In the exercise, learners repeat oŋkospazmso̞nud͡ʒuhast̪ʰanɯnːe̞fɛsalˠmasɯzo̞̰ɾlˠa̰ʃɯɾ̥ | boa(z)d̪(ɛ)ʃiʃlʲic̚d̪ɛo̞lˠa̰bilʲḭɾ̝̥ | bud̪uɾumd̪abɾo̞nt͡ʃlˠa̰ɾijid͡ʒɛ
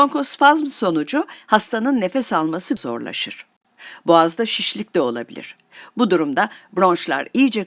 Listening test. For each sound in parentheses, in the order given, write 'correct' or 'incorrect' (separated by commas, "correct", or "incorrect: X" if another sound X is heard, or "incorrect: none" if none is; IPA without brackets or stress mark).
correct, incorrect: a